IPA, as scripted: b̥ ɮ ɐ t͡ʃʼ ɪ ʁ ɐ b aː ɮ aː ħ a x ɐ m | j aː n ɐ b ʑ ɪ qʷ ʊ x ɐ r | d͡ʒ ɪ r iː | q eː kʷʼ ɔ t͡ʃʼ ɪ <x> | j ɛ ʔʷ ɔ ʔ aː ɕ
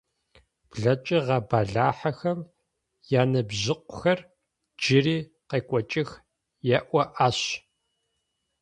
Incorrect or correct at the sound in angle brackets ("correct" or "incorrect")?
correct